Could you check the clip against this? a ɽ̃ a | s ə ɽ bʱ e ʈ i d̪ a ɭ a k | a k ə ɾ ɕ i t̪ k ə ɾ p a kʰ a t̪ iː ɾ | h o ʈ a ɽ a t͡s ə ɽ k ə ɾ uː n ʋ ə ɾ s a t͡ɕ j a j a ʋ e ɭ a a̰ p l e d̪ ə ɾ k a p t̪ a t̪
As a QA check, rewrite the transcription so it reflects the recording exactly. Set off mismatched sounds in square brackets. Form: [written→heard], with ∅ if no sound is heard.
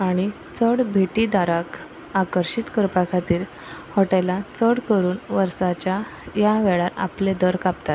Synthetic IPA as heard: a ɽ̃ [a→i] | [s→t͡s] ə ɽ bʱ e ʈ i d̪ a [ɭ→ɾ] a k | a k ə ɾ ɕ i t̪ k ə ɾ p a kʰ a t̪ iː ɾ | h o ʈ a [ɽ→l] a t͡s ə ɽ k ə ɾ uː n ʋ ə ɾ s a t͡ɕ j a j a ʋ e ɭ a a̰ p l e d̪ ə ɾ k a p t̪ a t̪